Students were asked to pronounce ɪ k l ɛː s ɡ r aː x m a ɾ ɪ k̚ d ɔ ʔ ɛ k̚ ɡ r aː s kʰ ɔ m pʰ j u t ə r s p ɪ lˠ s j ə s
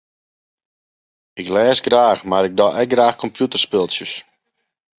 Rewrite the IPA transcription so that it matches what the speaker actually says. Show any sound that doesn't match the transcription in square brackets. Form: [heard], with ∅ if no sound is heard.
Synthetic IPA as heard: ɪ k l ɛː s ɡ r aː x m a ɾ ɪ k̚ d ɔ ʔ ɛ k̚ ɡ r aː [x] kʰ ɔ m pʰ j u t ə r s p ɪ lˠ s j ə s